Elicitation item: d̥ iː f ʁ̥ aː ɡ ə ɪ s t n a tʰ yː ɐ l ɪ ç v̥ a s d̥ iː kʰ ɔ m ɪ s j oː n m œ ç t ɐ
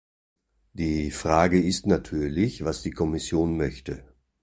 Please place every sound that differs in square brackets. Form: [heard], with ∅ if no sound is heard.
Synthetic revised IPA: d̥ iː f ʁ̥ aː ɡ ə ɪ s t n a tʰ yː ɐ l ɪ ç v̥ a s d̥ iː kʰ ɔ m ɪ s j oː n m œ ç t [ə]